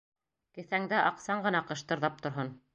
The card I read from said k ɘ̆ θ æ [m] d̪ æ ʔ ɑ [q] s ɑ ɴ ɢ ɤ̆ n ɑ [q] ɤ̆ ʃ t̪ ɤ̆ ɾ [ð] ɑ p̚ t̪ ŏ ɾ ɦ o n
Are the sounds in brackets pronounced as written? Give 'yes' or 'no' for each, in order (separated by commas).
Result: no, yes, yes, yes